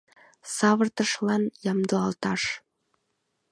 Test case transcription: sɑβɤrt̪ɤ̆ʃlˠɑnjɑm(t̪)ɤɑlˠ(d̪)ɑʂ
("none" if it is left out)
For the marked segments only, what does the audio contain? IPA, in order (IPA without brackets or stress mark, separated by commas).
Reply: d̪, t̪